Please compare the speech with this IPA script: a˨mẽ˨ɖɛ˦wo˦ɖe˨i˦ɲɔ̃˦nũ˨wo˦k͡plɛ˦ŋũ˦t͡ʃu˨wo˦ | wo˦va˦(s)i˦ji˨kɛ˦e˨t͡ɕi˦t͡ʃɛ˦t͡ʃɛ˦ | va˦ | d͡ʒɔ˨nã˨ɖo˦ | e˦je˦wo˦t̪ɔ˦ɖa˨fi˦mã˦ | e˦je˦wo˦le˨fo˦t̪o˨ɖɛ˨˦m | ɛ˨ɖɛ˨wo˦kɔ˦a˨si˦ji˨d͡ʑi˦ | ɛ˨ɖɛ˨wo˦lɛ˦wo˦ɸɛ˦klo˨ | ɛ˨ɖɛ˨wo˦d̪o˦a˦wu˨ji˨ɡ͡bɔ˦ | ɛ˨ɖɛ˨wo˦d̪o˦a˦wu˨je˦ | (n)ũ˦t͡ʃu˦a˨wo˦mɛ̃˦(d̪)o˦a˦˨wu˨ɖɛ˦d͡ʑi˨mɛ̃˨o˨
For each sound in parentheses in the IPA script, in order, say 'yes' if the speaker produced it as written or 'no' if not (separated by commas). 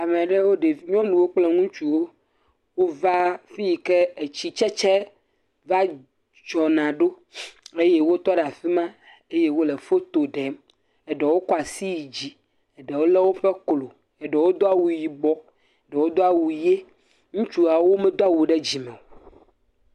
no, no, yes